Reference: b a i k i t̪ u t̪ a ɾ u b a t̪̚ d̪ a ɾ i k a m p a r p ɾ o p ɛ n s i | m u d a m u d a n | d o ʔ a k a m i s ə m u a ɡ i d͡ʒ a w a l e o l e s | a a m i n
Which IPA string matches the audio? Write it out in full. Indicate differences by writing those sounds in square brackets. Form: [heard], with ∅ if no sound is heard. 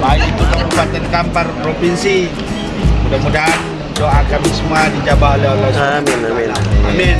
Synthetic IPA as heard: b a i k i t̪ u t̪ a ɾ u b a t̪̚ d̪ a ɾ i k a m p a r p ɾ o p [i] n s i | m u d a m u d a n | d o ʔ a k a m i s ə m u a [d] i d͡ʒ a [b] a l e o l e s | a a m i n